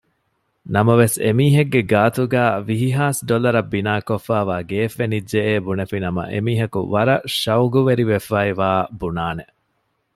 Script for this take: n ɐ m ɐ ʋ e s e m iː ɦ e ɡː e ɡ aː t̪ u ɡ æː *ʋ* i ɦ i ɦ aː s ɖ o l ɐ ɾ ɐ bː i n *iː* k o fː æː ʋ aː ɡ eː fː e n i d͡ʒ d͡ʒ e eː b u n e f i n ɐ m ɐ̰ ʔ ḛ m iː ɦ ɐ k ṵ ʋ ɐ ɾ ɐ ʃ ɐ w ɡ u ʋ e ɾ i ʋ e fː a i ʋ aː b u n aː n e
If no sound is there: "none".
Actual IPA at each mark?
ʋ, aː

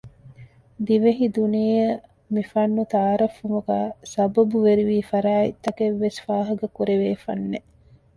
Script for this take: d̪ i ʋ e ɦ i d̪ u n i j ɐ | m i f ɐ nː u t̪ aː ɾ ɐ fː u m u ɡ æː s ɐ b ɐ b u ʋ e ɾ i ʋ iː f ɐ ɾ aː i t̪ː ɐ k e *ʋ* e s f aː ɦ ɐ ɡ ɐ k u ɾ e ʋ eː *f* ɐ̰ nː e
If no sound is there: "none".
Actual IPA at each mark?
ʋː, f

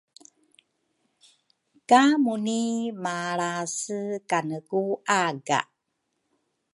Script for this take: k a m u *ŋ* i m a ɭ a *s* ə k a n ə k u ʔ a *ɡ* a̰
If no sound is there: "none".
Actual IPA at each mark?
n, s, ɡ

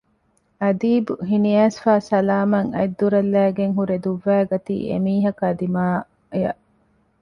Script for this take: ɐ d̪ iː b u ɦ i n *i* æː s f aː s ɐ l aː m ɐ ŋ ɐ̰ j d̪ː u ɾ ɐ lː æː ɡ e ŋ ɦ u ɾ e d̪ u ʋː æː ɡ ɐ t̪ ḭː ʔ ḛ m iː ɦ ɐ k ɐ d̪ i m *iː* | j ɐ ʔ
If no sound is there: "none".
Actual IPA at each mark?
i, aː

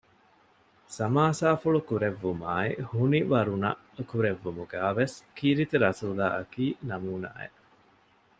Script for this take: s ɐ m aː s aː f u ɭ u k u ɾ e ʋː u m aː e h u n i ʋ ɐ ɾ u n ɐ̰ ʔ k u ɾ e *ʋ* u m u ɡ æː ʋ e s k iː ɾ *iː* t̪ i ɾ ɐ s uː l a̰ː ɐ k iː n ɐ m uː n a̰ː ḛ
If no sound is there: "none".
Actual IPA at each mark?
ʋː, i

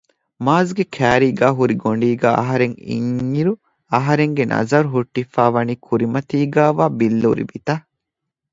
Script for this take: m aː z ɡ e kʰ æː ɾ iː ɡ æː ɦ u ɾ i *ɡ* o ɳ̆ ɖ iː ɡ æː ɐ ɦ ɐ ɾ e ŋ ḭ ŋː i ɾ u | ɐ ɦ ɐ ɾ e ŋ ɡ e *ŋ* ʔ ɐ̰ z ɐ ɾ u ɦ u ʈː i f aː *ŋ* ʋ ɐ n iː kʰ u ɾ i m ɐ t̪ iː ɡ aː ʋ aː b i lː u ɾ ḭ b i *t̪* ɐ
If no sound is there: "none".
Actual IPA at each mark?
ɡ, n, none, t̪

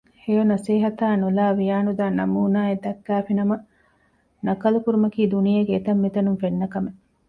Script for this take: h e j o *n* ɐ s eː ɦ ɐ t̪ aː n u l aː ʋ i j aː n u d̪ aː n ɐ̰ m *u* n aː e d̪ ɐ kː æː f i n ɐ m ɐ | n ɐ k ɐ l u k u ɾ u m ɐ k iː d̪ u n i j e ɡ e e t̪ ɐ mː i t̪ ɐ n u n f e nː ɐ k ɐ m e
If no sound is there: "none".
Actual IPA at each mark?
n, uː

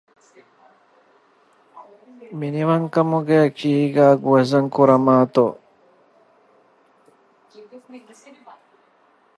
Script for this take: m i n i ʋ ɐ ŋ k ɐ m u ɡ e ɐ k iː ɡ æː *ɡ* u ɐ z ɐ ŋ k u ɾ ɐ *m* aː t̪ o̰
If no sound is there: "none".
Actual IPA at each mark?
ɡ, m

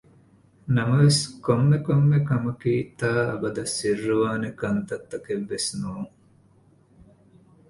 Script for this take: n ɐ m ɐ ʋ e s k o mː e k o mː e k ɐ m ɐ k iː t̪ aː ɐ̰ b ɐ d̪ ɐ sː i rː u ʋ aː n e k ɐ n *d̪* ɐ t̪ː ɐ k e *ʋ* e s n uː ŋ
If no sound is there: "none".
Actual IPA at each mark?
t̪, ʋː

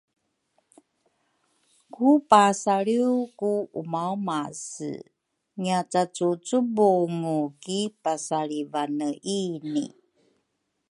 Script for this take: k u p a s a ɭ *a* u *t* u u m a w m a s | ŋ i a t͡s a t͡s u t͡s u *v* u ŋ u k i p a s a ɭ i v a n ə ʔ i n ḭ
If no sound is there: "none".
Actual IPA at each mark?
i, k, b

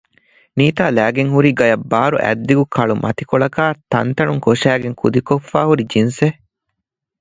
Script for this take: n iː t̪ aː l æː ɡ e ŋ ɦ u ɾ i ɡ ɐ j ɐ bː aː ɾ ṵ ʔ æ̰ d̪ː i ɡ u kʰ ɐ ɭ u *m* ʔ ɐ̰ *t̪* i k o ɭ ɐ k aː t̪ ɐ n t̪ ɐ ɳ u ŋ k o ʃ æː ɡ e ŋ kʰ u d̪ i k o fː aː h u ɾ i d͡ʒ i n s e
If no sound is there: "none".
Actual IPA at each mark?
m, t̪

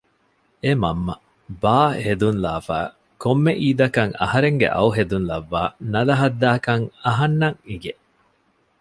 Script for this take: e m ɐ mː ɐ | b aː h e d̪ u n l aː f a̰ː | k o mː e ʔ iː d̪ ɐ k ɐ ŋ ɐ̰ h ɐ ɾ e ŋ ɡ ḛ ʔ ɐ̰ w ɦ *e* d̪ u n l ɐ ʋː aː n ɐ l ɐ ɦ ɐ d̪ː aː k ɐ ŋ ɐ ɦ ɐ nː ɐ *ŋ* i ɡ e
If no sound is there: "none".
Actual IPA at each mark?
e, ŋ

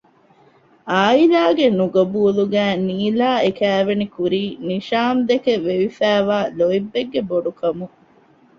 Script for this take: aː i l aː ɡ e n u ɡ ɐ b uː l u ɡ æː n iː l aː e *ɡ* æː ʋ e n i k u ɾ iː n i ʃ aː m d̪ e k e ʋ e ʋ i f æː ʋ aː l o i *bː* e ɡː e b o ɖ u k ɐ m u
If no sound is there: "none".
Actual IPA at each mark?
k, bː

